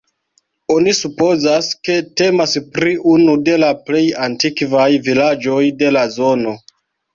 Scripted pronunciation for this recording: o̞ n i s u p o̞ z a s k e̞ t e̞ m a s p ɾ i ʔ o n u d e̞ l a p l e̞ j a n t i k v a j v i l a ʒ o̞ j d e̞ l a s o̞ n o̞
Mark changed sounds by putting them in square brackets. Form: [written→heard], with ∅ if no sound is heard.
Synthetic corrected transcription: o̞ n i s u p o̞ z a s k e̞ t e̞ m a s p ɾ i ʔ [o→u] n u d e̞ l a p l e̞ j a n t i k v a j v i l a [ʒ→d͡ʒ] o̞ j d e̞ l a [s→z] o̞ n o̞

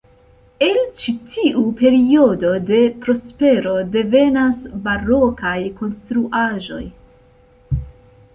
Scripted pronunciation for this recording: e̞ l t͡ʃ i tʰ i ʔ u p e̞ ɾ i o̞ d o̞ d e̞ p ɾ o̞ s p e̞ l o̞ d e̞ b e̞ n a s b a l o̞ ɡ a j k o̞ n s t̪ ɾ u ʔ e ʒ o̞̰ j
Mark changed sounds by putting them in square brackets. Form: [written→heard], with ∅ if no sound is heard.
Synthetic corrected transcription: e̞ l t͡ʃ i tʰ i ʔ u p e̞ ɾ i o̞ d o̞ d e̞ p ɾ o̞ s p e̞ [l→ɾ] o̞ d e̞ [b→v] e̞ n a s b a [l→ɾ] o̞ [ɡ→k] a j k o̞ n s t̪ ɾ u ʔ [e→a] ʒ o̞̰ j

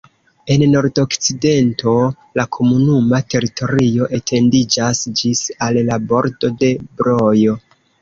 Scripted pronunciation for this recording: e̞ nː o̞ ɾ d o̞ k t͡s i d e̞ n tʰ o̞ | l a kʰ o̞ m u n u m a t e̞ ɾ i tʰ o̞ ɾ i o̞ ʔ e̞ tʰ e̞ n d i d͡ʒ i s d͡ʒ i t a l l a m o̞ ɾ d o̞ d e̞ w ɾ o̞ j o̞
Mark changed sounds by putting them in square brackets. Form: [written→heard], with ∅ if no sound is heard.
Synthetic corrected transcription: e̞ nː o̞ ɾ d o̞ k t͡s i d e̞ n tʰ o̞ | l a kʰ o̞ m u n u m a t e̞ ɾ i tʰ o̞ ɾ i o̞ ʔ e̞ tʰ e̞ n d i d͡ʒ [i→a] s d͡ʒ i [t→s] a l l a [m→b] o̞ ɾ d o̞ d e̞ [w→b] ɾ o̞ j o̞

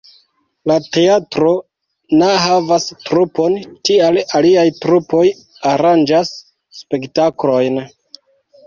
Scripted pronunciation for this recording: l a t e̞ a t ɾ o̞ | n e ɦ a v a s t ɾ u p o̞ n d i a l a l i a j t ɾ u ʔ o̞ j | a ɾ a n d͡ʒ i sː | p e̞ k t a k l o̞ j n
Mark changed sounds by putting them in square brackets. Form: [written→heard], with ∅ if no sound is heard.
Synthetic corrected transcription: l a t e̞ a t ɾ o̞ | n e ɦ a v a s t ɾ u p o̞ n [d→t] i a l a l i a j t ɾ u [ʔ→p] o̞ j | a ɾ a n d͡ʒ [i→a] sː | p e̞ k t a k l o̞ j n

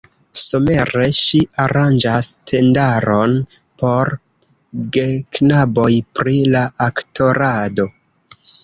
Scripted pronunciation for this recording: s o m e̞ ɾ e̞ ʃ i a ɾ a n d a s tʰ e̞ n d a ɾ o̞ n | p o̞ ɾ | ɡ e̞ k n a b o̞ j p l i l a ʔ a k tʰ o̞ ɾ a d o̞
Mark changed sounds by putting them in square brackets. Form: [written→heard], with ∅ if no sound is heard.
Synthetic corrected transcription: s o m e̞ ɾ e̞ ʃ i a ɾ a n [d→d͡ʒ] a s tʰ e̞ n d a ɾ o̞ n | p o̞ ɾ | ɡ e̞ k n a b o̞ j p [l→ɾ] i l a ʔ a k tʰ o̞ ɾ a d o̞

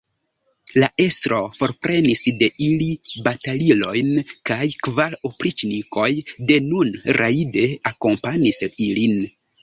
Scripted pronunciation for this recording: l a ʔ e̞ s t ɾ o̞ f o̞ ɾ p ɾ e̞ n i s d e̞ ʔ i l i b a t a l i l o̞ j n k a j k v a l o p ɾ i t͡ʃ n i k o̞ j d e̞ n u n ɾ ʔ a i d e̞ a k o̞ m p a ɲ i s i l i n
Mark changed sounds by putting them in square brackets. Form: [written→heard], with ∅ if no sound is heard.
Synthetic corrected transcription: l a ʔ e̞ s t ɾ o̞ f o̞ ɾ p ɾ e̞ n i s d e̞ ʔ i l i b a t a l i l o̞ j n k a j k v a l o p ɾ i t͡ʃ n i k o̞ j d e̞ n u n ɾ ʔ a i d e̞ a k o̞ m p a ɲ i s i l i n

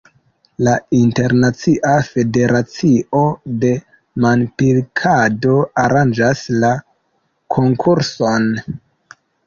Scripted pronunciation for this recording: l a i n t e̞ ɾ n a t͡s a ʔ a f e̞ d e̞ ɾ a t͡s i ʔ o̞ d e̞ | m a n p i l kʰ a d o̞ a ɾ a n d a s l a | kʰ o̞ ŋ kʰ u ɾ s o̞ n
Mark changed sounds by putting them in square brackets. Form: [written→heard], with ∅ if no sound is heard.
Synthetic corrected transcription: l a i n t e̞ ɾ n a t͡s [a→i] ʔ a f e̞ d e̞ ɾ a t͡s i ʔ o̞ d e̞ | m a n p i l kʰ a d o̞ a ɾ a n [d→d͡ʒ] a s l a | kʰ o̞ ŋ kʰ u ɾ s o̞ n

